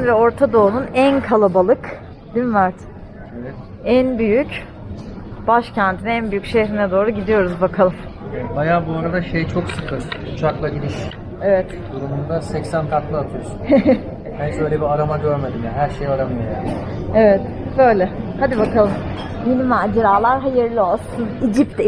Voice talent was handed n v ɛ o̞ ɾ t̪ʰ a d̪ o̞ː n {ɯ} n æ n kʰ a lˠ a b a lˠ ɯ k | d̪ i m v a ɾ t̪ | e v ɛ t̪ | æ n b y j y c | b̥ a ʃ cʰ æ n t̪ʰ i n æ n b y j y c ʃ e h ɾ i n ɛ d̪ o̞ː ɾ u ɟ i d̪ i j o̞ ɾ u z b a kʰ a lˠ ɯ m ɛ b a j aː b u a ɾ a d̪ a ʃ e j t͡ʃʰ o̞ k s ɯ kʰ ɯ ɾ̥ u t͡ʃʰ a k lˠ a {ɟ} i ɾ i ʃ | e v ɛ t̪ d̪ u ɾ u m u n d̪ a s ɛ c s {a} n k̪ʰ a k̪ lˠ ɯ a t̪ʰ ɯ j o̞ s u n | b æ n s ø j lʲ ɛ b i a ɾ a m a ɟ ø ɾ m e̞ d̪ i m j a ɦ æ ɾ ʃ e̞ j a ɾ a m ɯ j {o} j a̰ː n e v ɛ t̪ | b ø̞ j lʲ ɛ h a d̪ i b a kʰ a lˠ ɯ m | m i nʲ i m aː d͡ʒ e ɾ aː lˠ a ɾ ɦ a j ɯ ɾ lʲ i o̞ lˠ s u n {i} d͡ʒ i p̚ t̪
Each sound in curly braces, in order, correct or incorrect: incorrect, correct, incorrect, correct, correct

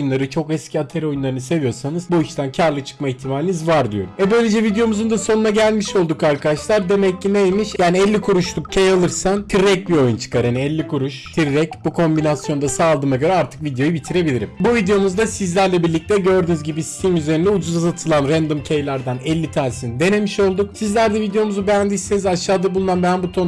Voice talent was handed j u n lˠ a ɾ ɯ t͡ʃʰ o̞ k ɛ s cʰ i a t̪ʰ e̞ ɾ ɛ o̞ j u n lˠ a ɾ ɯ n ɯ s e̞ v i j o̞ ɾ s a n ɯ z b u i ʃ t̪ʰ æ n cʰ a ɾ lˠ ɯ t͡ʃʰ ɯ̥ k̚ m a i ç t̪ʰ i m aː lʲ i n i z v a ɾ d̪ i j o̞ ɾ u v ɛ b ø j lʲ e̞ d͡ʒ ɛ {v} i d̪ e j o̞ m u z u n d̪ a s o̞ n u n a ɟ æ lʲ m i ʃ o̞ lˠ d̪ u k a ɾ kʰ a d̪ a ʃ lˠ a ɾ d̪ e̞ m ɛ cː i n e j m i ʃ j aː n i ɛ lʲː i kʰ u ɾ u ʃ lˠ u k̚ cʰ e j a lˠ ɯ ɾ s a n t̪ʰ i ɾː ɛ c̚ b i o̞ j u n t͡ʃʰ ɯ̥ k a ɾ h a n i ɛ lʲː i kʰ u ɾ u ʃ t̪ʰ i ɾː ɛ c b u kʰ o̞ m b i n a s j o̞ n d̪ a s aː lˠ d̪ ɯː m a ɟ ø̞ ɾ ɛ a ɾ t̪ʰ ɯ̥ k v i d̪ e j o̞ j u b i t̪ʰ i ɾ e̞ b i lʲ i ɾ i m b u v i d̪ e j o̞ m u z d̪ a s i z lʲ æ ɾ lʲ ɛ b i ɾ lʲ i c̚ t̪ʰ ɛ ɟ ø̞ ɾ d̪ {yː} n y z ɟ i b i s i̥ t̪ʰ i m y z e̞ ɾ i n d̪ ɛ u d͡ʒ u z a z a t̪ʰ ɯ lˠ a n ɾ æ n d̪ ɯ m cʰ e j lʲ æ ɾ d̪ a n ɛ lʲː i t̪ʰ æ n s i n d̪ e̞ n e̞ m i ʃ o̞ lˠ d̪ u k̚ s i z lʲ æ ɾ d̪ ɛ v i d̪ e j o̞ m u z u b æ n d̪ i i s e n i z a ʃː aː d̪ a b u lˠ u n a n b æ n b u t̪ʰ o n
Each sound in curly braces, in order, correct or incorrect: correct, incorrect

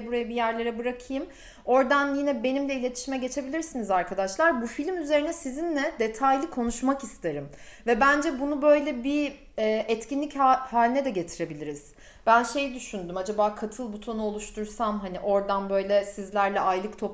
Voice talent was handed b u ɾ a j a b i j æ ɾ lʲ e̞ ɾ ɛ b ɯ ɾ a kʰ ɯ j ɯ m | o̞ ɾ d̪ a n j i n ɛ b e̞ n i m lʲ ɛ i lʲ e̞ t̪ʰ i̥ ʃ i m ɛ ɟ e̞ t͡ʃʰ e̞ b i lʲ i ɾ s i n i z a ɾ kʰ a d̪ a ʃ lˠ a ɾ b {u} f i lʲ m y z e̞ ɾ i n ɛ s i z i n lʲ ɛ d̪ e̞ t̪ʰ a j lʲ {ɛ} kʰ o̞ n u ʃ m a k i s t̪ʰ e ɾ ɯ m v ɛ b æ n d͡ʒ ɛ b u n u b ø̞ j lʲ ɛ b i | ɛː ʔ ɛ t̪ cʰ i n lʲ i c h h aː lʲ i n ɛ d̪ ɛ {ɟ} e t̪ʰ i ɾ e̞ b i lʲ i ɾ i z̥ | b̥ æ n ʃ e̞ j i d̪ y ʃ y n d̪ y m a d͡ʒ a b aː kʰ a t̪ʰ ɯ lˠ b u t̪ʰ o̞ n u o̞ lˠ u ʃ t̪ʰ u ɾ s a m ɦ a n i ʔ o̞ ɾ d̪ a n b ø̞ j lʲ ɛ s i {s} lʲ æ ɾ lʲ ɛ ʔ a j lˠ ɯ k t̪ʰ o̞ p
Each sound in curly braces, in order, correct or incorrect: correct, incorrect, correct, incorrect

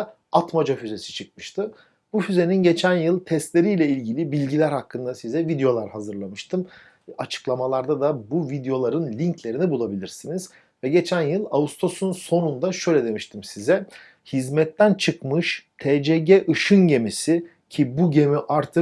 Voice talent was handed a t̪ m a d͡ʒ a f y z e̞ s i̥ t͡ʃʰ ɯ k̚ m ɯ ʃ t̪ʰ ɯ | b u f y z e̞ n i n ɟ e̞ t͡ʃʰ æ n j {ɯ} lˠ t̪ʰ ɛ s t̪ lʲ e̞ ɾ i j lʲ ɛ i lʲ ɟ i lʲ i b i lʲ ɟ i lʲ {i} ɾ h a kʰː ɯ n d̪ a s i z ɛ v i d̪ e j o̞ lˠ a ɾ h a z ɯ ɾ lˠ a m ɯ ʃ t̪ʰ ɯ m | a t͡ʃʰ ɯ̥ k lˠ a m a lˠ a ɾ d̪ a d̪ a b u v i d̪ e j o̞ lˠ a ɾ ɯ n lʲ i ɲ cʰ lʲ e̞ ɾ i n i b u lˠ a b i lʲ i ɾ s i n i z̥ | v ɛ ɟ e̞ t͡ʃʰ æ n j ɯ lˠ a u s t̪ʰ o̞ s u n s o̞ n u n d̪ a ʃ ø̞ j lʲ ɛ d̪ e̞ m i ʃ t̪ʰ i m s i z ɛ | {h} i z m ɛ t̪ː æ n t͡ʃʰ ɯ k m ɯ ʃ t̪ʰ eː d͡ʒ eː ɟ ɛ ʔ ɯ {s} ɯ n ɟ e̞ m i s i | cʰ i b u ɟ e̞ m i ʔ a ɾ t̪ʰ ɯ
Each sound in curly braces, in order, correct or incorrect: correct, incorrect, correct, incorrect

